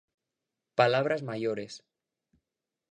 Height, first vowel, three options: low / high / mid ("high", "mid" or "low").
low